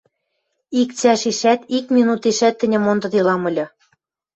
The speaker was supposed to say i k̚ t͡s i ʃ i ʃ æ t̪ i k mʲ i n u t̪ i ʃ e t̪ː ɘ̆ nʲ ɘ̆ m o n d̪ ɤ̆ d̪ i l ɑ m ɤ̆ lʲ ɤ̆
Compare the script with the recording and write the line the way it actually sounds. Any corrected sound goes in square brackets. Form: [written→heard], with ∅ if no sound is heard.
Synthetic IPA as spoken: i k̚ t͡s [i→æ] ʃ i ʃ æ t̪ i k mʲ i n u t̪ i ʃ [e→æ] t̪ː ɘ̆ nʲ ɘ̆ m o n d̪ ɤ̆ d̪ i l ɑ m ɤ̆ lʲ ɤ̆